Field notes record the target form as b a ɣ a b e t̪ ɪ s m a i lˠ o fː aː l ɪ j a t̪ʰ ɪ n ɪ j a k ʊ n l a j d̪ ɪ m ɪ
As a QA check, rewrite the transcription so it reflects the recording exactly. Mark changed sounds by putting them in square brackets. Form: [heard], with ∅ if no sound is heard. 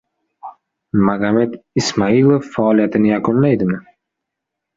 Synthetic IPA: [m] a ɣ a [m] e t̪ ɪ s m a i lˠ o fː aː l [i] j a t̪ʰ ɪ n ɪ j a k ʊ n l a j d̪ ɪ m ɪ